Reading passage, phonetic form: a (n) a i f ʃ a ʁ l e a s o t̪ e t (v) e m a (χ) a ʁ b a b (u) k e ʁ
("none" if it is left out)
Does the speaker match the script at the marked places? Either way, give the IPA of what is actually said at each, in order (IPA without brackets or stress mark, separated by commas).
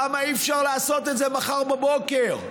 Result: m, z, χ, o